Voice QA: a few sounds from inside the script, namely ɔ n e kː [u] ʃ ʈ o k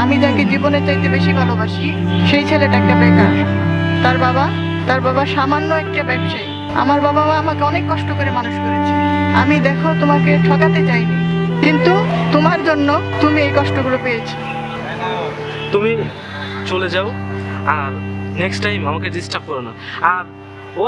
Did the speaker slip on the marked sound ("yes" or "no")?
yes